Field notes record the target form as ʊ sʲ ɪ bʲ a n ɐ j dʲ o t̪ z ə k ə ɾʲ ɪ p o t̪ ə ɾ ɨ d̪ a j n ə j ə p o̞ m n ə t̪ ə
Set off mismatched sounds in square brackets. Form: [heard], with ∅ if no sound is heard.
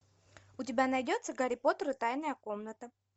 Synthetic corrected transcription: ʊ [tʲ] ɪ bʲ a n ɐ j dʲ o t̪ [s] ə [ɡ] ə ɾʲ ɪ p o t̪ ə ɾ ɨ [t̪] a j n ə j ə [k] o̞ m n ə t̪ ə